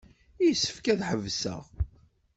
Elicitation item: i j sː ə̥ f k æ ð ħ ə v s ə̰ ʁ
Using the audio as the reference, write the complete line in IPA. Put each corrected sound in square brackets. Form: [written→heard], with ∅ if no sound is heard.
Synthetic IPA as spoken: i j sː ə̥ f k æ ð ħ ə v s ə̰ ʁ